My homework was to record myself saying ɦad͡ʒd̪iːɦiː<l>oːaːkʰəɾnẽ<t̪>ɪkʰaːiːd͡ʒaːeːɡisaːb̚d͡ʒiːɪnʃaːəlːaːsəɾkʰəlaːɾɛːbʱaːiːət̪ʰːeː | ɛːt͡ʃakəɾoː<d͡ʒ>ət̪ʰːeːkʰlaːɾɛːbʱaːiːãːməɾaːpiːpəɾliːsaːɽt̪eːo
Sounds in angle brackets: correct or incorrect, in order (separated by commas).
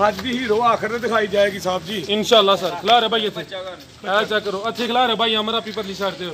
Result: incorrect, incorrect, incorrect